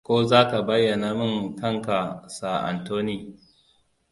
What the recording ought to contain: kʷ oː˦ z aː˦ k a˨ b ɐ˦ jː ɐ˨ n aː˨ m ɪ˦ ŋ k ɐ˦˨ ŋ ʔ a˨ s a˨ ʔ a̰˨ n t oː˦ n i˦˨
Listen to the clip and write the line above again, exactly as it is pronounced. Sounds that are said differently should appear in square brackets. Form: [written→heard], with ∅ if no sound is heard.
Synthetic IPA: kʷ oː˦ z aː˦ k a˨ b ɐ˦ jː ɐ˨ n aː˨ m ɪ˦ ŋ k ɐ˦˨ ŋ [ʔ→k] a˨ s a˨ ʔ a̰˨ n t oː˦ n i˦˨

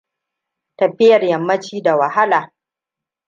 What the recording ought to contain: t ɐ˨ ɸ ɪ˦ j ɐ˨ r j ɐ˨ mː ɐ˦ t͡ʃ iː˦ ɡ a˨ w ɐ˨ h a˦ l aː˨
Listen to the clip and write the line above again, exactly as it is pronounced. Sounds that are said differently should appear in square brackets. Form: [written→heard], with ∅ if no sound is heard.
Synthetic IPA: t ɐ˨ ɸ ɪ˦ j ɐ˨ r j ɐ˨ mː ɐ˦ t͡ʃ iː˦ [ɡ→d] a˨ w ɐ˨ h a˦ l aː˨

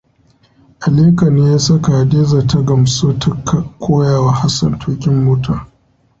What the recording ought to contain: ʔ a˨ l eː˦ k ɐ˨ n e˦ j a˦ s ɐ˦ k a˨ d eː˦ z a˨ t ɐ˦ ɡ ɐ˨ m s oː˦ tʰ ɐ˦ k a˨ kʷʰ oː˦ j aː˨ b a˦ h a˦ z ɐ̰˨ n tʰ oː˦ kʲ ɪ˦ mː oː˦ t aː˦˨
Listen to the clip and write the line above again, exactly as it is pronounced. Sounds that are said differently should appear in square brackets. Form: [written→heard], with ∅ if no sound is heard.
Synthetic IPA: ʔ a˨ l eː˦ k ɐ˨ n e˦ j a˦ s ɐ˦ k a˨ d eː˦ z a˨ t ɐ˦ ɡ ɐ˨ m s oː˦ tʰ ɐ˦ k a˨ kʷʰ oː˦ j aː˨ [b→w] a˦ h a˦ [z→s] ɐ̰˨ n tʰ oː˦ kʲ ɪ˦ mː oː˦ t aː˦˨

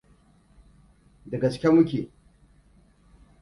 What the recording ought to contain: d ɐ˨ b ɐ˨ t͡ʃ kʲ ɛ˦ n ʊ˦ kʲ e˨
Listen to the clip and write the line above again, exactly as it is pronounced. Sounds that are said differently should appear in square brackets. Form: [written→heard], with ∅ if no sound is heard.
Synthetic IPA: d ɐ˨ [b→ɡ] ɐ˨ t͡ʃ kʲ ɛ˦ [n→m] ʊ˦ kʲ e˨

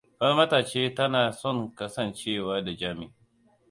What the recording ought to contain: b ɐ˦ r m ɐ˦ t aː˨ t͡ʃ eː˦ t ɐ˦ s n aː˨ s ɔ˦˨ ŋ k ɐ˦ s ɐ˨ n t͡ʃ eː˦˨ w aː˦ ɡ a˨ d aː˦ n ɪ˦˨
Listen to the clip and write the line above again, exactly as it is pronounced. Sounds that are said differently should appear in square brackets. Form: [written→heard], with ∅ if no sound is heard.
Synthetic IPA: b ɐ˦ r m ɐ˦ t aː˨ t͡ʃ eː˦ t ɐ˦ [s→∅] n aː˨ s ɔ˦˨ ŋ k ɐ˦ s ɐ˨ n t͡ʃ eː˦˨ w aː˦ [ɡ→d] a˨ [d→d͡ʒ] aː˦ [n→m] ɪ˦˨

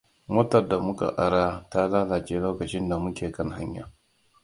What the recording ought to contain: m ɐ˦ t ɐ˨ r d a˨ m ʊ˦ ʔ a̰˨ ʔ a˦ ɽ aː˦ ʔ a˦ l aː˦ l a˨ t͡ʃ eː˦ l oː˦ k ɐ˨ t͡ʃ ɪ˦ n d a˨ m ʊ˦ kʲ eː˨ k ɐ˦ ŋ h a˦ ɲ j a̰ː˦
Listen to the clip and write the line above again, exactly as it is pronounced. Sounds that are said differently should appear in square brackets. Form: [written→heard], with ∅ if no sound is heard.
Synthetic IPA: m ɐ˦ t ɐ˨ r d a˨ m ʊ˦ [ʔ→k] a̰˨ ʔ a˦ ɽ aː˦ [ʔ→t] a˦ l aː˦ l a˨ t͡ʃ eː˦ l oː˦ k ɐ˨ t͡ʃ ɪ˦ n d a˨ m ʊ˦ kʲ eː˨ k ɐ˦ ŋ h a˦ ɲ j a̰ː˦

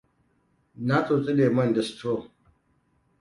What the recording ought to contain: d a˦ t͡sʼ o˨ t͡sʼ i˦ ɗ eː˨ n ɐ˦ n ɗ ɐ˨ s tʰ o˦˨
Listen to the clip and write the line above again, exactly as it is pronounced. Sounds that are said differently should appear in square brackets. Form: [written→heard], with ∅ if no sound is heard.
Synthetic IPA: [d→n] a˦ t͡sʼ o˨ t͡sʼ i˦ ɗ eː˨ [n→m] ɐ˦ n [ɗ→d] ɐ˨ s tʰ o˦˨

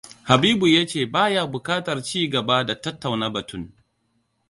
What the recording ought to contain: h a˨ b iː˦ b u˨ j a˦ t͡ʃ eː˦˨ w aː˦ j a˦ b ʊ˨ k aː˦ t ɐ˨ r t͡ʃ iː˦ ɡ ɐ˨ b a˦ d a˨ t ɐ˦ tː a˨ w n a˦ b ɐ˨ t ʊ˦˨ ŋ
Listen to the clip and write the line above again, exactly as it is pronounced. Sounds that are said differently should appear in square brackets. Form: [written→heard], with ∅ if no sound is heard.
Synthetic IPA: h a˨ b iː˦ b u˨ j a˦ t͡ʃ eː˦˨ [w→b] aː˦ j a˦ b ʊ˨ k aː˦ t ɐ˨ r t͡ʃ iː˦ ɡ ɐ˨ b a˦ d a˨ t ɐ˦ tː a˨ w n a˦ b ɐ˨ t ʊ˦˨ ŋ

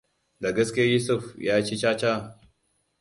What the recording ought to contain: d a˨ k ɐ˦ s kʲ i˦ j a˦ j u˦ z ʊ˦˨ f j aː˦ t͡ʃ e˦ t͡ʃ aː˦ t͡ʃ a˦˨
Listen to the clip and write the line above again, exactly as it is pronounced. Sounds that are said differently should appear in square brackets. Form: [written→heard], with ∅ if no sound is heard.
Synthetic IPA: d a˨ [k→ɡ] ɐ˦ s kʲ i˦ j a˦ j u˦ [z→s] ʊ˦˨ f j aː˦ t͡ʃ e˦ t͡ʃ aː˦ t͡ʃ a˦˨

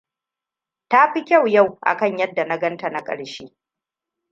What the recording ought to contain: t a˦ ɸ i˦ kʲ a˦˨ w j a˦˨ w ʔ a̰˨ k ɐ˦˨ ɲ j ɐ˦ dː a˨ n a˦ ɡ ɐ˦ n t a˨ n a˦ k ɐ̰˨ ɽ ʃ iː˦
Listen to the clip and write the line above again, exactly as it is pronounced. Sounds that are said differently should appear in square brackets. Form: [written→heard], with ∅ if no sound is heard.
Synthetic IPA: t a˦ ɸ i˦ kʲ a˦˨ w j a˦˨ w ʔ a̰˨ k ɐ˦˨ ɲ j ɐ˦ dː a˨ n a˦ ɡ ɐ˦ n t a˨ n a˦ [k→kʼ] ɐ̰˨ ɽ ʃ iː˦

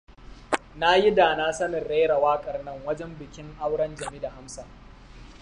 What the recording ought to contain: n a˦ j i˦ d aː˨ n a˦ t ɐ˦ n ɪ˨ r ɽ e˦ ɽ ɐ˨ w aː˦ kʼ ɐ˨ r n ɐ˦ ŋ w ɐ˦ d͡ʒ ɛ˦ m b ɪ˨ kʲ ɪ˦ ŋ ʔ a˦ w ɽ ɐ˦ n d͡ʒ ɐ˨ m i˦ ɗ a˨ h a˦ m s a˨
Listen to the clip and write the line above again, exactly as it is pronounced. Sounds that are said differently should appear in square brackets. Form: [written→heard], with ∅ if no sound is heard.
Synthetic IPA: n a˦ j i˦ d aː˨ n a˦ [t→s] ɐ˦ n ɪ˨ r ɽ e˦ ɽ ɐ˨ w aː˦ kʼ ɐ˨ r n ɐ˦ ŋ w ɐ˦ d͡ʒ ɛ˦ m b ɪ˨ kʲ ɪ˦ ŋ ʔ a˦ w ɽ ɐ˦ n d͡ʒ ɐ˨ m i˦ [ɗ→d] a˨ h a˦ m s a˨

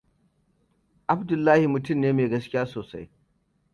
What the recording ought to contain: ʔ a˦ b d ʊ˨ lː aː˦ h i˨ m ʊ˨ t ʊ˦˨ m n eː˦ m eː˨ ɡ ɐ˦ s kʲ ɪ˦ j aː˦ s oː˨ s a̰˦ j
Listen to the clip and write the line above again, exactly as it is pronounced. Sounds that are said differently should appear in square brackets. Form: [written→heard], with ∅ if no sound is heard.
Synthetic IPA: ʔ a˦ b d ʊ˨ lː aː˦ h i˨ m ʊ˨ t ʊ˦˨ m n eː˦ m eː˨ ɡ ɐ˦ s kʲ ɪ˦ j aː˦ s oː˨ s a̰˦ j

